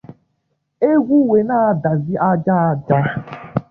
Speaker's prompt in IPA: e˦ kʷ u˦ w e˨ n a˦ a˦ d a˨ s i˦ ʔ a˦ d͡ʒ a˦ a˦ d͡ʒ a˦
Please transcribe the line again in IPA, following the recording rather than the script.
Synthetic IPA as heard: e˦ ɡʷ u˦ w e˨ n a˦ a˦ d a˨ z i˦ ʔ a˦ d͡ʒ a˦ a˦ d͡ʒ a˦